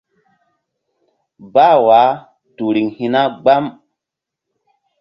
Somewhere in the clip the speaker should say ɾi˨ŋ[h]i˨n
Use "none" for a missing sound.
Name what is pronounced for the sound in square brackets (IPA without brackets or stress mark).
h